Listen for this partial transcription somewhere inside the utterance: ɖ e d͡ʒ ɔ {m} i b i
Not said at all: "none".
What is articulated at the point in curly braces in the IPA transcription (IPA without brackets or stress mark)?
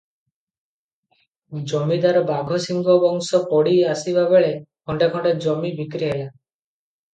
m